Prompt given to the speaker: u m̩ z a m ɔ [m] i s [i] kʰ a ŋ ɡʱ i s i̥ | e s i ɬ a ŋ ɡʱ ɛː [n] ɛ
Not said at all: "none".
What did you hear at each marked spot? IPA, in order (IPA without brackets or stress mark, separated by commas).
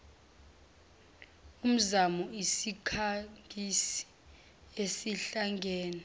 none, i, n